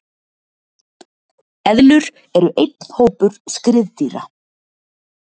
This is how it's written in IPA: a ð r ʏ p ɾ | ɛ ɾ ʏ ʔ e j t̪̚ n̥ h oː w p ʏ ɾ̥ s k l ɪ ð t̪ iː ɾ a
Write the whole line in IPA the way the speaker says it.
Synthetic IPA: ɛ ð l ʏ ɾ | ɛ ɾ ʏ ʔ e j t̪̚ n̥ h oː w p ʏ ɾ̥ s k ɾ ɪ ð t̪ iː ɾ a